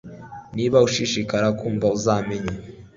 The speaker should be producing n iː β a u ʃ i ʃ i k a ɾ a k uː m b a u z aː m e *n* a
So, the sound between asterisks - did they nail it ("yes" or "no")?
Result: no